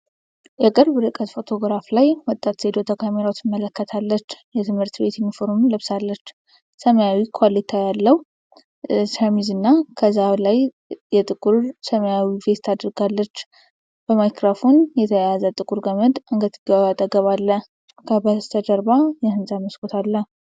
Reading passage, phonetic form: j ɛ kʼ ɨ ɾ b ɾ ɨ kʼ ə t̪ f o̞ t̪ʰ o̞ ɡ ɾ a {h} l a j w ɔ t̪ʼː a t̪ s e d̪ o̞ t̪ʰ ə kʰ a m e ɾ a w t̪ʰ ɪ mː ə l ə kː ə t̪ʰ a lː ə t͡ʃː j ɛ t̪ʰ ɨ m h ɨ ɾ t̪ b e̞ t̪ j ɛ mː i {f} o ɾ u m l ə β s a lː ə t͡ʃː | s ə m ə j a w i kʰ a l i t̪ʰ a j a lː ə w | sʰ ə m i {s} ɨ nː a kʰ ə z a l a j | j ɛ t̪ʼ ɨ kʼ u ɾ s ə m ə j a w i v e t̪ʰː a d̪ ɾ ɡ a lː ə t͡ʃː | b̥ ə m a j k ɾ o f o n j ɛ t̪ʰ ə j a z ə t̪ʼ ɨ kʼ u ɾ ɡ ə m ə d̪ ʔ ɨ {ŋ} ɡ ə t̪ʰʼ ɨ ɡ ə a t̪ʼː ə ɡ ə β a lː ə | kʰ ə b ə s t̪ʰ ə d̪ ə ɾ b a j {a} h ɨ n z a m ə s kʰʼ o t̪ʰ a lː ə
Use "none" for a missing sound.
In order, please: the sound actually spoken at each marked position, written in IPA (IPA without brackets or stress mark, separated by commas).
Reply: f, f, z, ŋ, ɛ